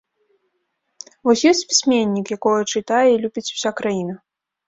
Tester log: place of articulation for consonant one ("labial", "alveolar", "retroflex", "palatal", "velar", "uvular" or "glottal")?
labial